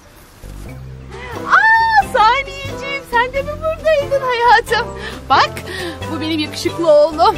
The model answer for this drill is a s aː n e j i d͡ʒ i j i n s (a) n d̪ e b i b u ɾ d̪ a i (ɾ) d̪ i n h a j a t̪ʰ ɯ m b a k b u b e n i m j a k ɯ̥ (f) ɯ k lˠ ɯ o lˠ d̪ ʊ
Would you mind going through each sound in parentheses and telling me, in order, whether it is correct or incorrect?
incorrect, incorrect, incorrect

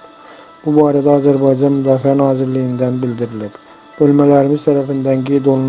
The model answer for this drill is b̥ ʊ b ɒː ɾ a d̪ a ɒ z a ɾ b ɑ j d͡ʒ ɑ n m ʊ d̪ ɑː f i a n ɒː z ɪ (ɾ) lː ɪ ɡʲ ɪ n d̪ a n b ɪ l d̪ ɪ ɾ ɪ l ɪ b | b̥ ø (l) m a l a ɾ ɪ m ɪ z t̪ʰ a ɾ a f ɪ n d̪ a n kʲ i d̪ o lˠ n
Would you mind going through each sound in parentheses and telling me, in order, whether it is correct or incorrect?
correct, correct

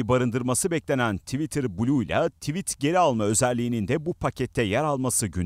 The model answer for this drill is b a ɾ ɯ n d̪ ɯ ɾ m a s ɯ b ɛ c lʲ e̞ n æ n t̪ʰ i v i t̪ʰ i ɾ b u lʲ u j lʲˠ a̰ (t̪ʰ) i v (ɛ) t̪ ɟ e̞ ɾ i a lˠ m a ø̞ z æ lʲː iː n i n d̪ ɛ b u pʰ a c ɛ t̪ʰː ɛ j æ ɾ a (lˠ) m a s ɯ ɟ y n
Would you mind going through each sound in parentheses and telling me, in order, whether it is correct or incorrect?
correct, incorrect, correct

